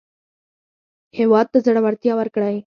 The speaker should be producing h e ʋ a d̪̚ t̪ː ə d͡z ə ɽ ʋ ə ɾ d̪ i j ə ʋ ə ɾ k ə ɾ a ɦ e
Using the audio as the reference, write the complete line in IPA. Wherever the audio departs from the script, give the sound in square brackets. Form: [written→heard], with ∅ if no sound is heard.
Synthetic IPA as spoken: h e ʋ a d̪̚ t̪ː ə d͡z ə ɽ ʋ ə ɾ [d̪→t̪] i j [ə→a] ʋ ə ɾ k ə [ɾ→ɽ] a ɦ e